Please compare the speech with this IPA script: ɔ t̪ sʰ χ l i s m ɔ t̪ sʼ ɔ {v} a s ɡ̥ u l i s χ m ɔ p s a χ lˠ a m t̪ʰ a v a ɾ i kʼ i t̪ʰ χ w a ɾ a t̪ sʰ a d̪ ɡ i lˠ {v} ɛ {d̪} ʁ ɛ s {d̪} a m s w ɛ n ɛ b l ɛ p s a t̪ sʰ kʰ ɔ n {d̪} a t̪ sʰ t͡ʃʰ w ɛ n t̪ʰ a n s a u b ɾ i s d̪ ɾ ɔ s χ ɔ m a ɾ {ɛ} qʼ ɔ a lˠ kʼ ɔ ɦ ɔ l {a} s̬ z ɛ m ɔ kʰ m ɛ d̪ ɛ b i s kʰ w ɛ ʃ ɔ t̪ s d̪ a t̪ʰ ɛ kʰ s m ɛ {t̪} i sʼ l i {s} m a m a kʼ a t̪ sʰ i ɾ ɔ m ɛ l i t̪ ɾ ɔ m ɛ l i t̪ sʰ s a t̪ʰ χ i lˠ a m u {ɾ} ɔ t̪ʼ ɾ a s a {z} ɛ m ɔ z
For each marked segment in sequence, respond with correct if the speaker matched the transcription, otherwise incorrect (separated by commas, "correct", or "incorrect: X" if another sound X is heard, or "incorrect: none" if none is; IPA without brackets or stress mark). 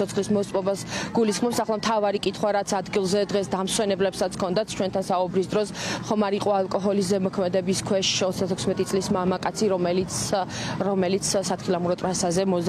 incorrect: b, incorrect: z, correct, correct, correct, incorrect: i, incorrect: i, incorrect: t̪ʼ, correct, correct, correct